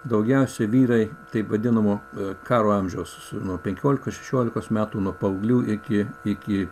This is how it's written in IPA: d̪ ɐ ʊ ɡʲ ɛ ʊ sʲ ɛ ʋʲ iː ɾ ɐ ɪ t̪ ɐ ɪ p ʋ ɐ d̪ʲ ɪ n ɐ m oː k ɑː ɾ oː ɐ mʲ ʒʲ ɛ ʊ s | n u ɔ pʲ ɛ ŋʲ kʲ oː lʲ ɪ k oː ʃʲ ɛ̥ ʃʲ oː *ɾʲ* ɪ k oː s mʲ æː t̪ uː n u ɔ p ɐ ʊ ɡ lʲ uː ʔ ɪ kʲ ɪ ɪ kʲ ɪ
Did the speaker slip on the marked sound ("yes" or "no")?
yes